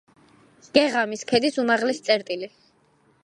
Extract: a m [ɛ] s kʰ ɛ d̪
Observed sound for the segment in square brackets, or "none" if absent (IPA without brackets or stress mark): i